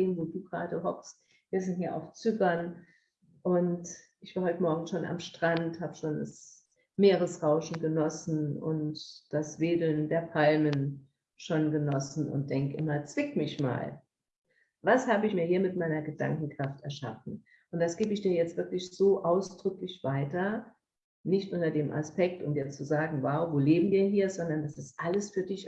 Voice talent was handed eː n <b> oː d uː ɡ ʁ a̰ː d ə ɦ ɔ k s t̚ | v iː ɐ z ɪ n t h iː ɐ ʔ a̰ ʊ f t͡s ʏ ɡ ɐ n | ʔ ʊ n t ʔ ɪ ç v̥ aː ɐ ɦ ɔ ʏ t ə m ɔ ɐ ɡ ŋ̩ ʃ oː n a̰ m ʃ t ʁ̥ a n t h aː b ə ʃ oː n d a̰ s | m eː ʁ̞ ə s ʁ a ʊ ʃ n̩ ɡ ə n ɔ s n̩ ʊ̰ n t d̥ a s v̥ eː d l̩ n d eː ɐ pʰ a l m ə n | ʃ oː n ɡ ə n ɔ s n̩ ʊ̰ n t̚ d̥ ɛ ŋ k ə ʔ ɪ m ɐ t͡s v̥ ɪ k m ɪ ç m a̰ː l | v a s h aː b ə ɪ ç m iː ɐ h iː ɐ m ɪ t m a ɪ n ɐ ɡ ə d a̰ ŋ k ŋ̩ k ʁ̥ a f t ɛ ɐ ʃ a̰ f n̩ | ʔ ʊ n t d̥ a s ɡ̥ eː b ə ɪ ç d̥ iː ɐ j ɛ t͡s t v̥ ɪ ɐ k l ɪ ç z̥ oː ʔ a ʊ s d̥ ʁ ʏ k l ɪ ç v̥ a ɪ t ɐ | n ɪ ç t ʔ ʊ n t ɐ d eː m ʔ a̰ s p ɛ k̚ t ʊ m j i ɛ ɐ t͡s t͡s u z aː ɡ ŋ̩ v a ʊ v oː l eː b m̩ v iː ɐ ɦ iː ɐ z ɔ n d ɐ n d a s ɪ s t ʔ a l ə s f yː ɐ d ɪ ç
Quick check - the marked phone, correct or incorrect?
incorrect